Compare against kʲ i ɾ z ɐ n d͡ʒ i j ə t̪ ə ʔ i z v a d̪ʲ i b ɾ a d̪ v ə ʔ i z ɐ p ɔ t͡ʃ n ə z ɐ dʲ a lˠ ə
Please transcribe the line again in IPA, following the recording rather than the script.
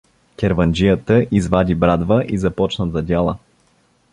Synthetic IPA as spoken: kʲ ɛ ɾ v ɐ n d͡ʒ i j ə t̪ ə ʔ i z v a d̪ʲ i b ɾ a d̪ v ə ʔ i z ɐ p ɔ t͡ʃ n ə z ɐ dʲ a lˠ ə